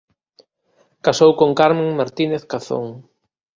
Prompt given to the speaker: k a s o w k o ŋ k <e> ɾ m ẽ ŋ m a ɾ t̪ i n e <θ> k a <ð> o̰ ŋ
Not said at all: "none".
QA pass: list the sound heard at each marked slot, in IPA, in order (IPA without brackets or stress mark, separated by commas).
a, θ, θ